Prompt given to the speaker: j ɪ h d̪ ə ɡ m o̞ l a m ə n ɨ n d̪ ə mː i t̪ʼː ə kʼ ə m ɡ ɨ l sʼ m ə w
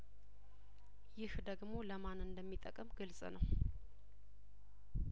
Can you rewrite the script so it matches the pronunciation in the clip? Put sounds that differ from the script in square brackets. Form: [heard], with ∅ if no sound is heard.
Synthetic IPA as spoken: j ɪ h d̪ ə ɡ m o̞ l [ə] m [a] n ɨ n d̪ ə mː i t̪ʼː ə kʼ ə m ɡ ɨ l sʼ [n] ə w